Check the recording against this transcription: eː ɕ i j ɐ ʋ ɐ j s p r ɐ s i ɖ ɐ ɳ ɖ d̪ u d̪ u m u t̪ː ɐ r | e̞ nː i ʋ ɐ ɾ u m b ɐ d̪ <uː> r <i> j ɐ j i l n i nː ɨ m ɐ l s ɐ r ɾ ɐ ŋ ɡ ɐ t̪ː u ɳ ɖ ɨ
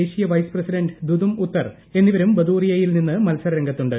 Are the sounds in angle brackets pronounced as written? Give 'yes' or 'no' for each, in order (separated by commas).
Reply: yes, yes